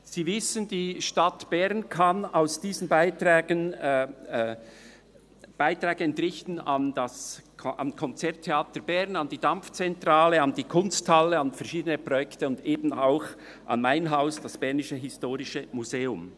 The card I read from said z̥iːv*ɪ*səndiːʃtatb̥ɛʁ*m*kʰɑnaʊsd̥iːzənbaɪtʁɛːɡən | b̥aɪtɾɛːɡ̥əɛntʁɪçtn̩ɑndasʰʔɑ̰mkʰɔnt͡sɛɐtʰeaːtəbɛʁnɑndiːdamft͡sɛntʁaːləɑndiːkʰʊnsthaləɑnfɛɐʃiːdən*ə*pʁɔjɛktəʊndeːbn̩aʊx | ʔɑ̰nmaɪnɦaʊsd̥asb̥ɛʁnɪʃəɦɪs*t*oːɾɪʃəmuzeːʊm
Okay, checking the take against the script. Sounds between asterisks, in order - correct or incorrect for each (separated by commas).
correct, incorrect, correct, correct